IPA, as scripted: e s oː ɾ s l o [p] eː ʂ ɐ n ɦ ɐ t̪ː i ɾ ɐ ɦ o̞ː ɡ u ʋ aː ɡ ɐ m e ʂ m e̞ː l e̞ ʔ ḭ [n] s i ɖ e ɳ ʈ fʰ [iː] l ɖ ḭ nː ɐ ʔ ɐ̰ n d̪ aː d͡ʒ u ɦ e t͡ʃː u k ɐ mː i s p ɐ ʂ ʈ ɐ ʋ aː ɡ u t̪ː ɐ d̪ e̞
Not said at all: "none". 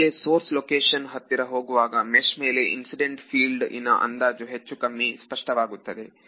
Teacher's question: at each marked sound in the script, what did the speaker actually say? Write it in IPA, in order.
k, n, iː

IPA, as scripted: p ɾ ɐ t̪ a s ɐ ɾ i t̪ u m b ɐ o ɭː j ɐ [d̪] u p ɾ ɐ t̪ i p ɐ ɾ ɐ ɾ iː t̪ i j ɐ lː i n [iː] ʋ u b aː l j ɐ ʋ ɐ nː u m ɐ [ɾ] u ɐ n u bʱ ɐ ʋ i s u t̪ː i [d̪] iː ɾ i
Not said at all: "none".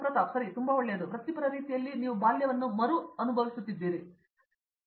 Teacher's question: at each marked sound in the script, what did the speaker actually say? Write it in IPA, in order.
d̪, iː, ɾ, d̪ː

